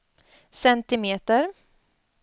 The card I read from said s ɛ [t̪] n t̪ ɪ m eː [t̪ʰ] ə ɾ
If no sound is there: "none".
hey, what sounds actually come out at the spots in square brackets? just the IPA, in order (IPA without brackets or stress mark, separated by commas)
none, t̪